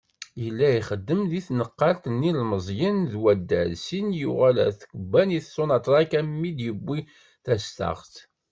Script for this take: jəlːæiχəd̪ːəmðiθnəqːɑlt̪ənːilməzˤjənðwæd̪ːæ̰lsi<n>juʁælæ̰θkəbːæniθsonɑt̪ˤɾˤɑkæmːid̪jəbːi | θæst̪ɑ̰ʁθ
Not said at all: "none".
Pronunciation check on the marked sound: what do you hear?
n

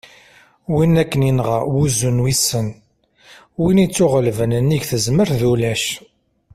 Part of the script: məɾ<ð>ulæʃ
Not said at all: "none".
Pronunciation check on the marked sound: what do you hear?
ð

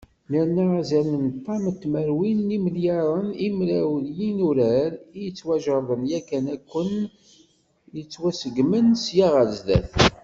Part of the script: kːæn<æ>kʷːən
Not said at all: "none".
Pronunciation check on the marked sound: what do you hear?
æ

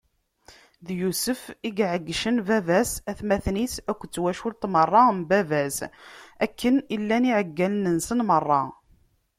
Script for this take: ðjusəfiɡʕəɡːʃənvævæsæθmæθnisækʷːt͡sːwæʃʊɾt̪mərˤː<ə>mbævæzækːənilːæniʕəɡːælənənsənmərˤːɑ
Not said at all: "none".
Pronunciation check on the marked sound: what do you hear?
ɑ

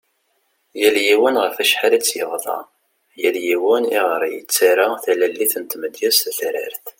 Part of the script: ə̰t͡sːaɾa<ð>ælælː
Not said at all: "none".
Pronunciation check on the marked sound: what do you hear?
θ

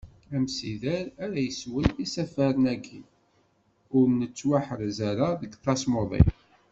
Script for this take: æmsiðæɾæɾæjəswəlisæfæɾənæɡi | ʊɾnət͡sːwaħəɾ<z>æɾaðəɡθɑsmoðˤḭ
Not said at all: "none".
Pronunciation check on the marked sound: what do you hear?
z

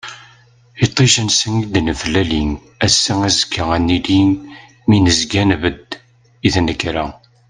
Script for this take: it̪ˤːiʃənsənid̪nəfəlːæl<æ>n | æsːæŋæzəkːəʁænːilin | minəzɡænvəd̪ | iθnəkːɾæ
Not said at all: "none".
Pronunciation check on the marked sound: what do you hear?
i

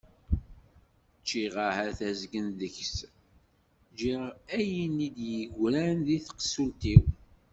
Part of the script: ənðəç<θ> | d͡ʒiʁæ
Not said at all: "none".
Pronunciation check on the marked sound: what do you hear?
s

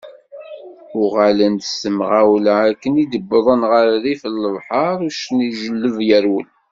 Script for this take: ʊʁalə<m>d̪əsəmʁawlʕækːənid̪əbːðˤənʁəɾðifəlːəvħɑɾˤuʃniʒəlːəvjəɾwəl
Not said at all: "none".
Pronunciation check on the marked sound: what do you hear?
n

